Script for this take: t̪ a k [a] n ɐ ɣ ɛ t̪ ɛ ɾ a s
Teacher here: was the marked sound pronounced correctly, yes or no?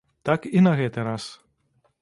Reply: no